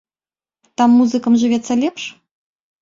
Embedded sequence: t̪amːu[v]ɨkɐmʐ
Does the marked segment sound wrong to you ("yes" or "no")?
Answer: yes